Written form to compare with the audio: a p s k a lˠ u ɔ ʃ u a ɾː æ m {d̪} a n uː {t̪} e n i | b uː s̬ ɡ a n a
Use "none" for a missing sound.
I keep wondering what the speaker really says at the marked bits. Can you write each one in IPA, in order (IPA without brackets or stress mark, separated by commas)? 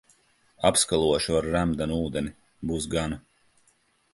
d̪, d̪